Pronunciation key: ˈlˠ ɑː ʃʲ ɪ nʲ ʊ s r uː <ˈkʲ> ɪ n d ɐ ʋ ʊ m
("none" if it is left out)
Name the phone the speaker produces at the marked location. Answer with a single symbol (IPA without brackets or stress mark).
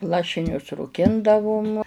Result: kʲ